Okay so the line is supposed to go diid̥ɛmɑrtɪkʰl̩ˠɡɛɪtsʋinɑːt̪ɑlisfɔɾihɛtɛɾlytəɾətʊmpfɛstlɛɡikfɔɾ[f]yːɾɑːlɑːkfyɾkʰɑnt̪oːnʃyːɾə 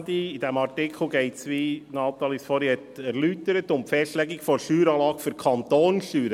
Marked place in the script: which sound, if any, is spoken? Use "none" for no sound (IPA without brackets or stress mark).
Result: ʃ